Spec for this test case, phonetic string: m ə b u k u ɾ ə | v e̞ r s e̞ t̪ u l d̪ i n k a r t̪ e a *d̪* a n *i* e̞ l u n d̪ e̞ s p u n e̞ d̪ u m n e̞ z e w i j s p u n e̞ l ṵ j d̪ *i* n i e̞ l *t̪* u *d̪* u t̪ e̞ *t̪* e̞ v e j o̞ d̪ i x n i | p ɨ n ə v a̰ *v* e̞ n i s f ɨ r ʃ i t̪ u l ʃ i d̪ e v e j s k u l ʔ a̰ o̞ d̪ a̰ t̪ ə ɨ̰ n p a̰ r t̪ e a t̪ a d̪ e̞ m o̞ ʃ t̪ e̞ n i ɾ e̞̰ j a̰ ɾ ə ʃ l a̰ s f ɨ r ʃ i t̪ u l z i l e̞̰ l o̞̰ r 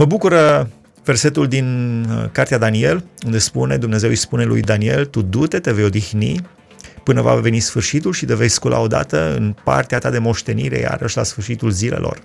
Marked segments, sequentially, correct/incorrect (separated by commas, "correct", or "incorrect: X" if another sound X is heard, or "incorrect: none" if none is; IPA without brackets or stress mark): correct, correct, incorrect: a, correct, correct, correct, correct